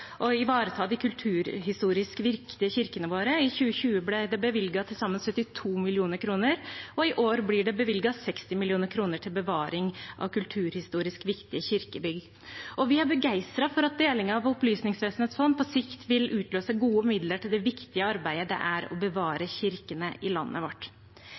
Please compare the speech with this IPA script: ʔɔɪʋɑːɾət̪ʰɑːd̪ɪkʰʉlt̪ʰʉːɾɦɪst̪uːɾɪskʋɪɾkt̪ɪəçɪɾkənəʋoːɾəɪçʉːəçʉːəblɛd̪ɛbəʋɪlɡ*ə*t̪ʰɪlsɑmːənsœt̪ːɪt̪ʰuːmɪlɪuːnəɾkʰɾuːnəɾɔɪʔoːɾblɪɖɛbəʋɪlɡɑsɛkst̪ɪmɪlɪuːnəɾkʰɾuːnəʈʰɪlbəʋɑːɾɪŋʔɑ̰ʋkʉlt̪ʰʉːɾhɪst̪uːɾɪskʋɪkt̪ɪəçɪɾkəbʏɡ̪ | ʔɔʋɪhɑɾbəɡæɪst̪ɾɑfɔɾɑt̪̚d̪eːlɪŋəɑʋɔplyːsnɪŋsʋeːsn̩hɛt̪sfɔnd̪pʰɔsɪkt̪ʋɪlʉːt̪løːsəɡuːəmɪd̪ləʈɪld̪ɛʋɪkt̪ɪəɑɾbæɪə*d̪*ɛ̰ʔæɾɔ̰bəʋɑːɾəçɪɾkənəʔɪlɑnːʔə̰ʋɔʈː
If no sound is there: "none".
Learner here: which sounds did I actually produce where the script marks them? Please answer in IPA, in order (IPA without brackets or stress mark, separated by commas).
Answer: ɑ, d̪